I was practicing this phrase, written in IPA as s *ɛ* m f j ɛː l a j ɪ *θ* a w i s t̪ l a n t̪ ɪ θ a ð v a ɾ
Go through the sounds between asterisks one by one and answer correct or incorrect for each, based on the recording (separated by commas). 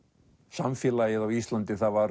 incorrect, incorrect